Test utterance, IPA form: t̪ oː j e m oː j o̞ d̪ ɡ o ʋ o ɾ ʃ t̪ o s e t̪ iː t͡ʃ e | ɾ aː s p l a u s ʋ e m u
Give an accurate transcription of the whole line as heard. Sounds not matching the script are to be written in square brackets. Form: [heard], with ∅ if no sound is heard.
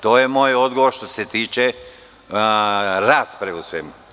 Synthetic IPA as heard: t̪ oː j e m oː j o̞ d̪ ɡ o ʋ o ɾ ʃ t̪ o s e t̪ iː t͡ʃ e | ɾ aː s p [ɾ] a u s ʋ e m u